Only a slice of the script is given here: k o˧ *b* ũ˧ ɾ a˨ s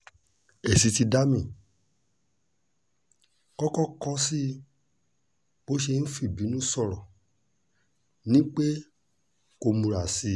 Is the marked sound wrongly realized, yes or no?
yes